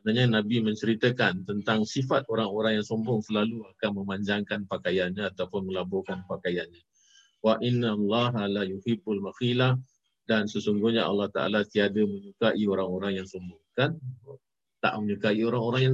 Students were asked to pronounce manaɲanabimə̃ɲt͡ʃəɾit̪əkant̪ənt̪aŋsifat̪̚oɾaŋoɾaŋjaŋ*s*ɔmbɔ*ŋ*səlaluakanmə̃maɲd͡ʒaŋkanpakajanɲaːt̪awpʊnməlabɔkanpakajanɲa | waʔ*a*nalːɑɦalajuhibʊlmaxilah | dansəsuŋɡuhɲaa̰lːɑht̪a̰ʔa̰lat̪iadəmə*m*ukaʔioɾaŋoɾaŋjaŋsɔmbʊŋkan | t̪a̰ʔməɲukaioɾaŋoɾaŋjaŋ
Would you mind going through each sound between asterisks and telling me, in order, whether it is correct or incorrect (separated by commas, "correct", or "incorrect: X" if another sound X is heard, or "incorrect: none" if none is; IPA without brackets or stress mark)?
correct, correct, incorrect: i, incorrect: ɲ